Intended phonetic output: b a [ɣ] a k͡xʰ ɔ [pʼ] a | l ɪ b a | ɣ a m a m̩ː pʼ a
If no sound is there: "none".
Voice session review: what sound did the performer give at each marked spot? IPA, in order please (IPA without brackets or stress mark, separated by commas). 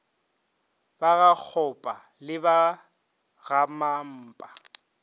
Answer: ɣ, pʼ